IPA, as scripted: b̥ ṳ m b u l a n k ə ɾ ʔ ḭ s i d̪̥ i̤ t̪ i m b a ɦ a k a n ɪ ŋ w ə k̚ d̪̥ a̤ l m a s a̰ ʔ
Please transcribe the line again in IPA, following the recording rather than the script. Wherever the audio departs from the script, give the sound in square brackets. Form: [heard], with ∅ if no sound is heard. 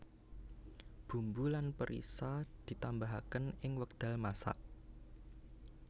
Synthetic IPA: b̥ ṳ m b u l a n [p] ə ɾ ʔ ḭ s [a] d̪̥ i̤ t̪ [a] m b a ɦ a k [ə] n ɪ ŋ w ə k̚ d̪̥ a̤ l m a s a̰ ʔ